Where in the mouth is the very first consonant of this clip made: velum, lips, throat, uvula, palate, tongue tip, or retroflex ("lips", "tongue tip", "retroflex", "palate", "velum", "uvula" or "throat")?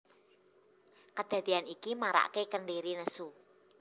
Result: velum